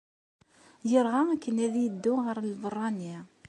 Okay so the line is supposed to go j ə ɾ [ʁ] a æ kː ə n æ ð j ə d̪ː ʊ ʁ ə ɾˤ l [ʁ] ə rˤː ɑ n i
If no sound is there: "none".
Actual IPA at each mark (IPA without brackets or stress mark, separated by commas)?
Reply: ʁ, v